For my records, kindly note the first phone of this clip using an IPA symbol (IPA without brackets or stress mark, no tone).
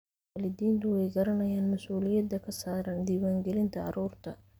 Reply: l